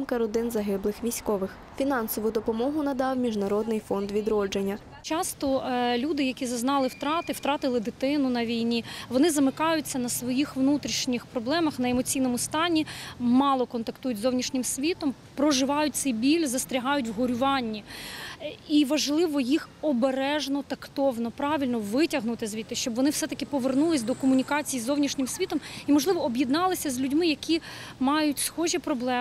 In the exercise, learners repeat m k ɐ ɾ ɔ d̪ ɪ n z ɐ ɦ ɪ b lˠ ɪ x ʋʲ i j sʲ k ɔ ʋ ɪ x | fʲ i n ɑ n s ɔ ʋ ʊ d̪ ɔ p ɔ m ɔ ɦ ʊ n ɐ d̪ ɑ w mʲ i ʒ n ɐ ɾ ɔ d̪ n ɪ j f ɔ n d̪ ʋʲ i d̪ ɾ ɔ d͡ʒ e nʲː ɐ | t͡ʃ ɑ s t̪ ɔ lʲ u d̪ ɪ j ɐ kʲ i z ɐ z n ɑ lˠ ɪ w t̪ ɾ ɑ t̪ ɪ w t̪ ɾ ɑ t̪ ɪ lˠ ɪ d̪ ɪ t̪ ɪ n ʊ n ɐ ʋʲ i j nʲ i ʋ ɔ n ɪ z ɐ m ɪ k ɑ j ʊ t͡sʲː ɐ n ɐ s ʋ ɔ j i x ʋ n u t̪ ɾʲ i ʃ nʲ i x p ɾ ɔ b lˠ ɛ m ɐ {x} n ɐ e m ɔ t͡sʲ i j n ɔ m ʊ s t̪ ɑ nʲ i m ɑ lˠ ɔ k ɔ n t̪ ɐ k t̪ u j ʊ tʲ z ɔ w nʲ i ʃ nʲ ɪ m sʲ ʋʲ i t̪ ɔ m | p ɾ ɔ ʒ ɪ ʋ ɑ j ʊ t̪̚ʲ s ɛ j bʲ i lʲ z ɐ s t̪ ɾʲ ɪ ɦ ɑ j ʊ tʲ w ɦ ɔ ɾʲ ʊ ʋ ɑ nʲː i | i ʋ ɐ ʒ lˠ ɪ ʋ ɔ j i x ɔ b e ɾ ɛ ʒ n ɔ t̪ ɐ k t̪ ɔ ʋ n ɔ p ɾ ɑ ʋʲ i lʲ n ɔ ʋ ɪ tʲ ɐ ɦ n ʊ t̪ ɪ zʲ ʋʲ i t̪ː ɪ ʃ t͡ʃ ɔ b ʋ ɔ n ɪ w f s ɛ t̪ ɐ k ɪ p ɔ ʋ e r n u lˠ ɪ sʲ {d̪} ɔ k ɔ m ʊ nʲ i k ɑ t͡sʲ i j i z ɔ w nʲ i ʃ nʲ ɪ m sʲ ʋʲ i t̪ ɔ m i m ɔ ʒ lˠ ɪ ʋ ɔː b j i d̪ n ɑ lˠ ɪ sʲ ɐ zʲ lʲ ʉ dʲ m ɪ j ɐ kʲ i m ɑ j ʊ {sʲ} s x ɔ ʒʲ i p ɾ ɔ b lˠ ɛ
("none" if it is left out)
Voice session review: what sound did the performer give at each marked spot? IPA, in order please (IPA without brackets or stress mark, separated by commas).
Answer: x, d̪, tʲ